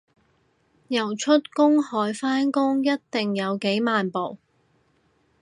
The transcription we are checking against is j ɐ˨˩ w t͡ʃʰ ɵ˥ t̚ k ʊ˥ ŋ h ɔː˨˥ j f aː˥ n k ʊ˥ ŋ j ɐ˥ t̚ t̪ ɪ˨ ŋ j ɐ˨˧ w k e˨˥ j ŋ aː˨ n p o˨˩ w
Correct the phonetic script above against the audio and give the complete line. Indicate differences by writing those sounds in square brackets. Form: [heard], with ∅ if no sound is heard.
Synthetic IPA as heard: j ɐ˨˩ w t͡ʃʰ ɵ˥ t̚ k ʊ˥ ŋ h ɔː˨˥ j f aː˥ n k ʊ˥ ŋ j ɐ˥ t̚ t̪ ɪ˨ ŋ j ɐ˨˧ w k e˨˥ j [m] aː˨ n p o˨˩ w